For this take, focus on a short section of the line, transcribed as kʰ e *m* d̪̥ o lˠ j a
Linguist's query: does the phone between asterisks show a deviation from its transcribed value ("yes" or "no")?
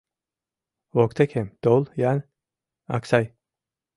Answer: no